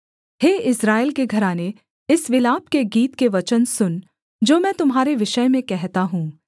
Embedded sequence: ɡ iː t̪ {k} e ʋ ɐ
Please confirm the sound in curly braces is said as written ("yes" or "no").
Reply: yes